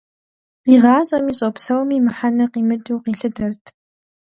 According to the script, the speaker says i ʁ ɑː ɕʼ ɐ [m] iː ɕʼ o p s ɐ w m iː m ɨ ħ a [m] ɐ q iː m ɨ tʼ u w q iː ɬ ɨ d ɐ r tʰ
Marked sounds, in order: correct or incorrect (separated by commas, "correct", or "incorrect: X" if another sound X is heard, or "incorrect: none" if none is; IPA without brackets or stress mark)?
correct, incorrect: n